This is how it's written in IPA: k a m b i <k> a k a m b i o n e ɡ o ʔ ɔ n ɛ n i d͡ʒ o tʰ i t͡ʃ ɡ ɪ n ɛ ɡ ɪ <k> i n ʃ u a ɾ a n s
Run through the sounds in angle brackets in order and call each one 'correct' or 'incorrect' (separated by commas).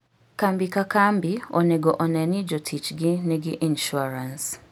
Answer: correct, incorrect